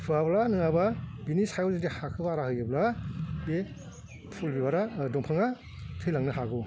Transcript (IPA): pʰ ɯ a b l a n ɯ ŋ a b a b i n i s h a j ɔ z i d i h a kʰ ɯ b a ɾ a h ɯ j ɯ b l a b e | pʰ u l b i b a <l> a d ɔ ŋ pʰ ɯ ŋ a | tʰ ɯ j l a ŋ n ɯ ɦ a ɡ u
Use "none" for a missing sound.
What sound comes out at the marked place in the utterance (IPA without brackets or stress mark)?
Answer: ɾ